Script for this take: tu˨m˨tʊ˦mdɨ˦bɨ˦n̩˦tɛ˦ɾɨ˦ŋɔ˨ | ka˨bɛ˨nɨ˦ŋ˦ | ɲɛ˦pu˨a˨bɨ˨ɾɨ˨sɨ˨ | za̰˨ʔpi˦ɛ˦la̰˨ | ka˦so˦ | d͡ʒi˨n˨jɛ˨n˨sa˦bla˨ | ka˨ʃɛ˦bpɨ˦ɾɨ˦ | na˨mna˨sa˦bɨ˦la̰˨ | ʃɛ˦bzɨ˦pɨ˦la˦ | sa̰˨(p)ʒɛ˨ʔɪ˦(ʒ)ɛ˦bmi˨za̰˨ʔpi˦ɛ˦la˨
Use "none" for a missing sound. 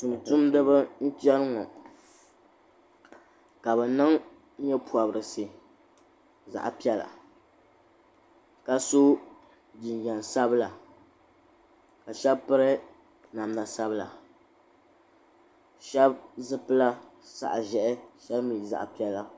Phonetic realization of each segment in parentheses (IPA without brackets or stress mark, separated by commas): ʔ, ʃ